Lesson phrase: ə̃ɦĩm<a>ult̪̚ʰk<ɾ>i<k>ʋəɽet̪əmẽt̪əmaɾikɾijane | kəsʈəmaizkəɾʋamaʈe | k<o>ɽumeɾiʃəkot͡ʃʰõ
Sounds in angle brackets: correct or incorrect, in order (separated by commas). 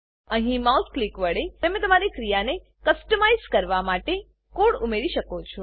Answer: correct, incorrect, correct, correct